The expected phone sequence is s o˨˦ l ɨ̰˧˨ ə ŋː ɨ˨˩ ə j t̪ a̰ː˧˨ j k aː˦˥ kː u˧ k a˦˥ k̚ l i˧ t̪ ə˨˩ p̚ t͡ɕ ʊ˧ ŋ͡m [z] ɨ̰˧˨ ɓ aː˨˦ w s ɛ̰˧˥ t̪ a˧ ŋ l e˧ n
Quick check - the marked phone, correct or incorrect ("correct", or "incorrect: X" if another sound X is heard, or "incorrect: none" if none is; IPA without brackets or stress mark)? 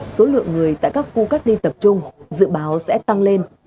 correct